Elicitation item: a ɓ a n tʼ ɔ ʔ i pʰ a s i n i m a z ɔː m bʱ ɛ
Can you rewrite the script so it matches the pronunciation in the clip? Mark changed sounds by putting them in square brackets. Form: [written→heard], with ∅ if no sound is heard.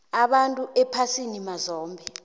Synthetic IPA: a ɓ a n tʼ [ɔ→u] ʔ [i→ɛ] pʰ a s i n i m a z ɔː m bʱ ɛ